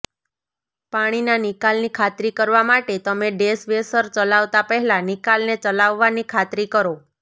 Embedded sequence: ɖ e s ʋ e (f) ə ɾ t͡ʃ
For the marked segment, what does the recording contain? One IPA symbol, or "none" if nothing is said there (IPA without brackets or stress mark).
s